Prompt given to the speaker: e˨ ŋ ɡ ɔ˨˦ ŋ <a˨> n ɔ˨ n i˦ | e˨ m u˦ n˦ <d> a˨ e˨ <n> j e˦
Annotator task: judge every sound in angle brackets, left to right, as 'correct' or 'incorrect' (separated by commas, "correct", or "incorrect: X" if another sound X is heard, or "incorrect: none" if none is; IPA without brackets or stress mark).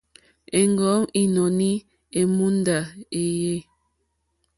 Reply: incorrect: i˨, correct, incorrect: none